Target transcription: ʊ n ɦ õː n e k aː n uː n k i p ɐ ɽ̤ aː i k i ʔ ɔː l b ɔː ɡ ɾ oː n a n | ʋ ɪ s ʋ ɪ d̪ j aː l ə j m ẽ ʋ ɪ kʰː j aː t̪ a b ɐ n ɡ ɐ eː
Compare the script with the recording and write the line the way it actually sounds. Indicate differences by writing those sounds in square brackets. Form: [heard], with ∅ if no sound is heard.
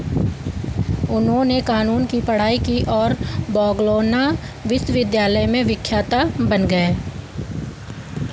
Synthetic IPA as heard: ʊ n ɦ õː n e k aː n uː n k i p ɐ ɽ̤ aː i k i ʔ ɔː [ɾ] b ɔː ɡ [l] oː n a [∅] | ʋ ɪ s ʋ ɪ d̪ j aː l ə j m ẽ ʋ ɪ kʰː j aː t̪ a b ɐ n ɡ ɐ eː